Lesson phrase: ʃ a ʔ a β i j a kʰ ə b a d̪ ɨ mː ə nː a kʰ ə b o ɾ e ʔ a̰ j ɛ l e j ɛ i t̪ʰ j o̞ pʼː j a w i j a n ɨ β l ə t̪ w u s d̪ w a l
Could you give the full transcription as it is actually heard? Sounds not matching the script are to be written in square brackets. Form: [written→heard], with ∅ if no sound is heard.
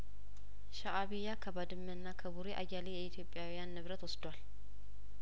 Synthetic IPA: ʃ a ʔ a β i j a kʰ ə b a d̪ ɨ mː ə nː a kʰ ə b [o→u] ɾ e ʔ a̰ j [ɛ→a] l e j ɛ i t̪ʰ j o̞ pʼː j a w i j a [n→nː] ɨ β [l→ɾ] ə t̪ w [u→ɔ] s d̪ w a l